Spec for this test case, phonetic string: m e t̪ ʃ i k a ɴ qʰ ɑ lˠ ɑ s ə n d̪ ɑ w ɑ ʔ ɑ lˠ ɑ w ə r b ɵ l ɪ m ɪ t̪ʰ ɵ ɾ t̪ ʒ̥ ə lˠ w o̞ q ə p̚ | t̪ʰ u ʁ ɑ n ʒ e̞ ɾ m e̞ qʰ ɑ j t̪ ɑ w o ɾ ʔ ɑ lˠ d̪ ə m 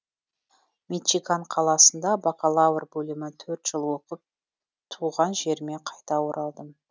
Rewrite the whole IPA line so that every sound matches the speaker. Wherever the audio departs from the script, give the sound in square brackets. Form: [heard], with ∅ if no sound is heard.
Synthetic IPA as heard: m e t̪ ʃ i k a ɴ qʰ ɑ lˠ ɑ s ə n d̪ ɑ [b] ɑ [q] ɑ lˠ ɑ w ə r b ɵ l ɪ m ɪ t̪ʰ ɵ ɾ t̪ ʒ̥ ə lˠ w o̞ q ə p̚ | t̪ʰ u ʁ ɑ n ʒ e̞ ɾ m e̞ qʰ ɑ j t̪ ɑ w o ɾ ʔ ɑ lˠ d̪ ə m